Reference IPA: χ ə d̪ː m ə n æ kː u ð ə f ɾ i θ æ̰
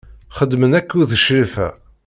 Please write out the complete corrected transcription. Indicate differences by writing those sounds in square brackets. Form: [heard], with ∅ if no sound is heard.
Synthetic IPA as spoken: χ ə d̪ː m ə n æ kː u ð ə [ʃ] ɾ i [f] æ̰